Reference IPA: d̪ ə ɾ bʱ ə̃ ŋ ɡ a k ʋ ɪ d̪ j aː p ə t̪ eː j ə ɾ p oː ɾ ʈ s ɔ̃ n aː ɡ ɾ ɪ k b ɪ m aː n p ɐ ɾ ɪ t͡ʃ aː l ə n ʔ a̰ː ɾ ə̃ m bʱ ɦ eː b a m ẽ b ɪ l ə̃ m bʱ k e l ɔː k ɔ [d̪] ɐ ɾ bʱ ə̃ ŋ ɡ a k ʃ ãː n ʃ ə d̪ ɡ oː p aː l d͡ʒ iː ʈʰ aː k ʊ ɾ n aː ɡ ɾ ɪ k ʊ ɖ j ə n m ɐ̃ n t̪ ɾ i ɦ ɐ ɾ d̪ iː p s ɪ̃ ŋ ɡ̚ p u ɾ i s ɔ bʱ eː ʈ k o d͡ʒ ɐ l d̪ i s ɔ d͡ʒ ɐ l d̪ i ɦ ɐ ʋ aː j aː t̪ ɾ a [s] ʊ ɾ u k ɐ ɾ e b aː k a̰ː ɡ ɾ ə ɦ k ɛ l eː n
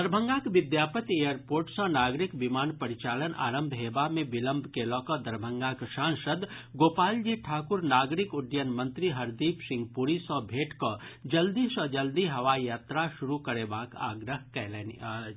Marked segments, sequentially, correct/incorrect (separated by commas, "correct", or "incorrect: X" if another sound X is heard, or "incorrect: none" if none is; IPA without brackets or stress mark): correct, incorrect: ʃ